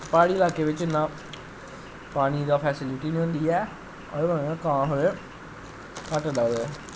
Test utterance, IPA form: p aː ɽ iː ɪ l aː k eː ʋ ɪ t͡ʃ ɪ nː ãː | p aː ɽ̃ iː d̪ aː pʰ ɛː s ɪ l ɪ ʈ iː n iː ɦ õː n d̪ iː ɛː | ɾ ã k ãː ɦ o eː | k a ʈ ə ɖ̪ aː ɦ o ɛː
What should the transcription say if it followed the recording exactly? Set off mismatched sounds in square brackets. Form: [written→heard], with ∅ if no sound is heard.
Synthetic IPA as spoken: p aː ɽ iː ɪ l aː k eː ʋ ɪ t͡ʃ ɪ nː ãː | p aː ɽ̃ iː d̪ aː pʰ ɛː s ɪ l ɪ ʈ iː n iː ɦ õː n d̪ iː ɛː | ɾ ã k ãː ɦ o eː | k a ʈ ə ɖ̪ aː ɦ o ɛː